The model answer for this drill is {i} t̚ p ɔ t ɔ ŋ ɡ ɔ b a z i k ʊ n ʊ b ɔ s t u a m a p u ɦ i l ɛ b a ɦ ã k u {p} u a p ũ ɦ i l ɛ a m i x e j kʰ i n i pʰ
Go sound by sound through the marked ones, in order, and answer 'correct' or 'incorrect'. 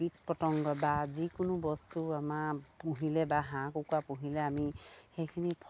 correct, incorrect: k

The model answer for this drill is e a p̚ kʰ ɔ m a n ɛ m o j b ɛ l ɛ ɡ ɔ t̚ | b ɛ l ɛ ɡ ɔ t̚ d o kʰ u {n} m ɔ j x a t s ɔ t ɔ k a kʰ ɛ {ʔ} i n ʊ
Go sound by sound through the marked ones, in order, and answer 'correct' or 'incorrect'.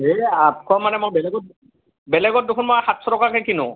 correct, incorrect: k

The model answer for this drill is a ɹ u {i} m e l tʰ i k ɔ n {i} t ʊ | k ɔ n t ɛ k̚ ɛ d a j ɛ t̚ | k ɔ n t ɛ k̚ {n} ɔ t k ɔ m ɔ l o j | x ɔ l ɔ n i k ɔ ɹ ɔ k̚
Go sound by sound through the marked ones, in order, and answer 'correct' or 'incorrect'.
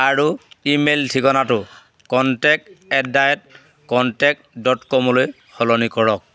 correct, incorrect: a, incorrect: d

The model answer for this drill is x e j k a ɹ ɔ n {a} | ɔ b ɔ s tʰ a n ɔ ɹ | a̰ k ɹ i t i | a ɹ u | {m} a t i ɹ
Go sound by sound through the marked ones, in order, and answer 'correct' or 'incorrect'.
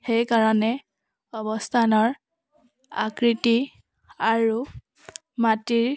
incorrect: ɛ, correct

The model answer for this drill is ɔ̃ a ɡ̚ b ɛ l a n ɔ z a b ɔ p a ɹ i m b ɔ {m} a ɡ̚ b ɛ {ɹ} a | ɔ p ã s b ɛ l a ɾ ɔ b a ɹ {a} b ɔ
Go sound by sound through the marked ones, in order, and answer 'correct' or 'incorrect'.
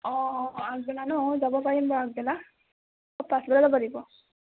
incorrect: none, incorrect: l, incorrect: i

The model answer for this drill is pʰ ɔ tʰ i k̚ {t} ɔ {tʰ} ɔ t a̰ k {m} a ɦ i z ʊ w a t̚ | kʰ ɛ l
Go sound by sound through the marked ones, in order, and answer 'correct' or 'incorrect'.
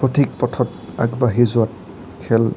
incorrect: p, correct, incorrect: b

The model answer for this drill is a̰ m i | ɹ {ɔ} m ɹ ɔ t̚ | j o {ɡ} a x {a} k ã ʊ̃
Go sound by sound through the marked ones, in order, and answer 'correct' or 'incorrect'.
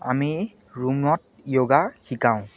incorrect: u, correct, incorrect: i

